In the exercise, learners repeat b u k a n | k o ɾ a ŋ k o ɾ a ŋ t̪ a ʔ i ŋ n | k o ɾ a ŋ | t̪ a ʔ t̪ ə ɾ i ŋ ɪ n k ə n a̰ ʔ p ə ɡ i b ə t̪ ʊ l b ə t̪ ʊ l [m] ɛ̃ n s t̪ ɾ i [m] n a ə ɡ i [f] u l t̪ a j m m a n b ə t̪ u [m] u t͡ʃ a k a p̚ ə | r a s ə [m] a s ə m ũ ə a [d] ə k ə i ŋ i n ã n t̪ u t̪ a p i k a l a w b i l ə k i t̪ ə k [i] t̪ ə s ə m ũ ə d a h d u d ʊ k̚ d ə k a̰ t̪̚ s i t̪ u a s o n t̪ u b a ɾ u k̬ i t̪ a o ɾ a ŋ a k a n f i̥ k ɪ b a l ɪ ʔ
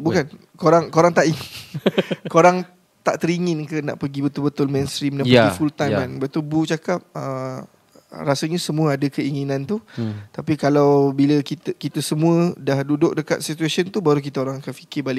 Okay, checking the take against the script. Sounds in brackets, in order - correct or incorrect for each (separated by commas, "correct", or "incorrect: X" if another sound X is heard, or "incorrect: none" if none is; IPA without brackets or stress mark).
correct, correct, correct, incorrect: b, incorrect: ɲ, correct, correct